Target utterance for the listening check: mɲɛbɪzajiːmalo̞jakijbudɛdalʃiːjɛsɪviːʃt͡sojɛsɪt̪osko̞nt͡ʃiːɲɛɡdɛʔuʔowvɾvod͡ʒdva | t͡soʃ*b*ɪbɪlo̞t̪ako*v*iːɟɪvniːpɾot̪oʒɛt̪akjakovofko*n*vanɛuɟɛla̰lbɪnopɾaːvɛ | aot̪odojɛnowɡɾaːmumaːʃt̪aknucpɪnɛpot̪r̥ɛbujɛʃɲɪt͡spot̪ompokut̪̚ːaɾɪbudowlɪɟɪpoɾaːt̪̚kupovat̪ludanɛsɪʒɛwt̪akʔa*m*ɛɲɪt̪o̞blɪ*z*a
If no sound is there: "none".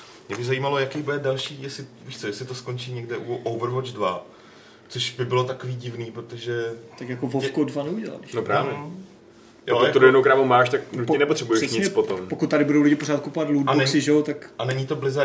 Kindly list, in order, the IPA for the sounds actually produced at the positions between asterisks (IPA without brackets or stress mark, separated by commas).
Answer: b, v, d, n, z